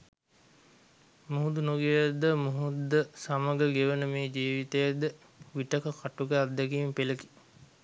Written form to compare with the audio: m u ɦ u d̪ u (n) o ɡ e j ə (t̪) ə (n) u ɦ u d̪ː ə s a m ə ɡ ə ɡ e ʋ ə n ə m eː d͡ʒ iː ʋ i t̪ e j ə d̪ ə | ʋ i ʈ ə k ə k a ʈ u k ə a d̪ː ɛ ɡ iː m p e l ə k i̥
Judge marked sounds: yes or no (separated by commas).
yes, no, no